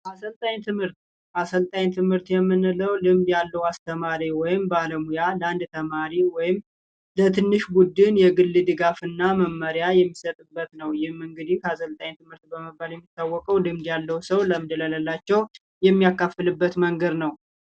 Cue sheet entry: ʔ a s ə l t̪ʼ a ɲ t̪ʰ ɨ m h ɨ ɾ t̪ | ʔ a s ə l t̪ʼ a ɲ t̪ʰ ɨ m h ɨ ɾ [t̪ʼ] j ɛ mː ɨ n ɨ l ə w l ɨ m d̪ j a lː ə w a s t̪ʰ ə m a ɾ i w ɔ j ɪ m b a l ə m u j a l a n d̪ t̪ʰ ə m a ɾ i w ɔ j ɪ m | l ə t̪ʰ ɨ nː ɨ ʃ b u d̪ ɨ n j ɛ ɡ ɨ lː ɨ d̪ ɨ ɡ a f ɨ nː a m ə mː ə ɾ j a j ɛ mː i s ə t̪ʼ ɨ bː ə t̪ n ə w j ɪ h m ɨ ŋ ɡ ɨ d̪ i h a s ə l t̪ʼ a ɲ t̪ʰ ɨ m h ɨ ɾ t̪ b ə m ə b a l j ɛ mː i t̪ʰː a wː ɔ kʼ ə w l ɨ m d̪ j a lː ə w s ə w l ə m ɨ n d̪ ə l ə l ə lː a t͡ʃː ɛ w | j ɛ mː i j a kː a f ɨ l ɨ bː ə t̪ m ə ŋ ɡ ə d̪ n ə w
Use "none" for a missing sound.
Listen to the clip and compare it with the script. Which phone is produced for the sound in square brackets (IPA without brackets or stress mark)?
t̪